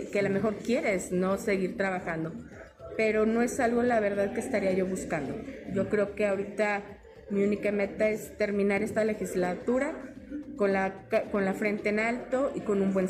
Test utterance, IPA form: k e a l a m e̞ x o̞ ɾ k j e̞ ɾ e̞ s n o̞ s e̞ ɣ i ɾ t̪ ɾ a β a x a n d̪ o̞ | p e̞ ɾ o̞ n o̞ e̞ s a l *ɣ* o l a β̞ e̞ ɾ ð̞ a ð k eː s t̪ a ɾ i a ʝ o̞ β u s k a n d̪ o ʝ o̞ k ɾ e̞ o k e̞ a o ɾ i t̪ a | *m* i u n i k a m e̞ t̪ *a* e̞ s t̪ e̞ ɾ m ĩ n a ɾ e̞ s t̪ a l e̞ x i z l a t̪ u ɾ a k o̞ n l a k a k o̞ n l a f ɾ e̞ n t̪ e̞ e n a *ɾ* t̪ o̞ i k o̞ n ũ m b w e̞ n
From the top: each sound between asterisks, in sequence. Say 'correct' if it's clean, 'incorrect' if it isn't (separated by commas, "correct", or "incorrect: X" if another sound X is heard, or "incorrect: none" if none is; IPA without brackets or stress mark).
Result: correct, correct, correct, incorrect: l